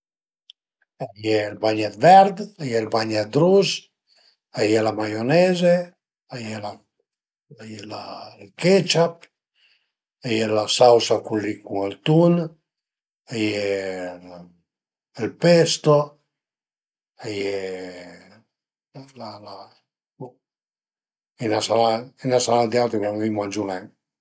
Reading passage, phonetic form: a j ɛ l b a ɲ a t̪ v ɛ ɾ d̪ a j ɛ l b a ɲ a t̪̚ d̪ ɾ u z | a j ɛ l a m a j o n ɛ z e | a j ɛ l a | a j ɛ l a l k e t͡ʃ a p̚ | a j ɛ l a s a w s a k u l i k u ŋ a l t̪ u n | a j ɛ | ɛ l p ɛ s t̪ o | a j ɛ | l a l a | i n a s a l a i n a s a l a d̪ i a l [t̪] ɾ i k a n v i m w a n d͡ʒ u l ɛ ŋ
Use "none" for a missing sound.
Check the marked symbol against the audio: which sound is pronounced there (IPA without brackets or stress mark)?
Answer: t̪